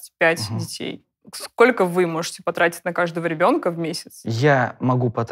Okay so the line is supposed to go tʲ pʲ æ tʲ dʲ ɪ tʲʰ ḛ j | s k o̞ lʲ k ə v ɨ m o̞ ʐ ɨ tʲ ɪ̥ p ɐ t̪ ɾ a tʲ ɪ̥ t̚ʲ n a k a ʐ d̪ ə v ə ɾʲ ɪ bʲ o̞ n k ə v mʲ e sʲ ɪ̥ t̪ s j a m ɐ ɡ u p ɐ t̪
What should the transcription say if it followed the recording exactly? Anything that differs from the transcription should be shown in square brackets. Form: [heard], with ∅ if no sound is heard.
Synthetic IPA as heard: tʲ pʲ æ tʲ dʲ ɪ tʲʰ ḛ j | s k o̞ lʲ k ə v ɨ m o̞ ʐ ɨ tʲ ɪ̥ p ɐ t̪ ɾ a tʲ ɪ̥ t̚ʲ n [ɐ] k a ʐ d̪ ə v ə ɾʲ ɪ bʲ o̞ n k ə v mʲ e sʲ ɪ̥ t̪ s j a m ɐ ɡ u p ɐ t̪